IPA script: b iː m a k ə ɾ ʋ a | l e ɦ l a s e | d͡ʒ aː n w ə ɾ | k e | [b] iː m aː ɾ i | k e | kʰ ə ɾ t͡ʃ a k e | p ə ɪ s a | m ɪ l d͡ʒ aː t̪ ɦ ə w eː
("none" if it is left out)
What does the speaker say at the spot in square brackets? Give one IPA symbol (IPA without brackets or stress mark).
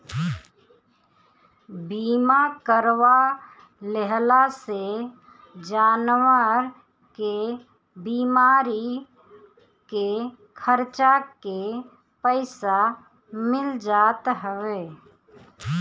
b